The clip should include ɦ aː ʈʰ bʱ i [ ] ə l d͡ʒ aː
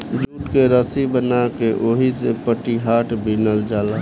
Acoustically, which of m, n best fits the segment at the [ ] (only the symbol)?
n